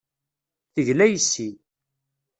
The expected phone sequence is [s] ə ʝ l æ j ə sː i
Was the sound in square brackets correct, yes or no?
no